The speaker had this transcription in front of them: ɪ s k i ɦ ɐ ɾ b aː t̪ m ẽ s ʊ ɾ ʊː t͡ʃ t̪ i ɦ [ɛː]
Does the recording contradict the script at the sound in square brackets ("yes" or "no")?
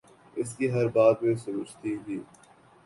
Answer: yes